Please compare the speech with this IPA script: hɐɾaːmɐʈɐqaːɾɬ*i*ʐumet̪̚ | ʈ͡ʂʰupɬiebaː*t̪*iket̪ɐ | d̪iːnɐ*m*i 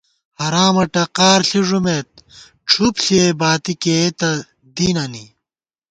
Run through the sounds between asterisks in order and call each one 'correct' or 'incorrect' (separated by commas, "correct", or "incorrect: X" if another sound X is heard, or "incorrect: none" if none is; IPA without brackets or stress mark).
correct, correct, incorrect: n